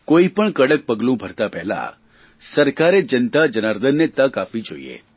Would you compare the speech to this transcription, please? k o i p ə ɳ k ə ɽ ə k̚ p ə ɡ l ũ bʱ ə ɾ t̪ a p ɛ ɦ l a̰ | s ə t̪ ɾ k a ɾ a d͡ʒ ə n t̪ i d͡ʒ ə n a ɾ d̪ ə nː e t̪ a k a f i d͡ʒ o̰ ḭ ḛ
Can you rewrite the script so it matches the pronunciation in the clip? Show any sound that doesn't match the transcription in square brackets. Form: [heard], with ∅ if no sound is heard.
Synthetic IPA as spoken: k o i p ə ɳ k ə ɽ ə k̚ p ə ɡ l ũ bʱ ə ɾ t̪ a p ɛ ɦ l a̰ | s ə [∅] ɾ k a ɾ [e] d͡ʒ ə n t̪ [a] d͡ʒ ə n a ɾ d̪ ə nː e t̪ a k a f i d͡ʒ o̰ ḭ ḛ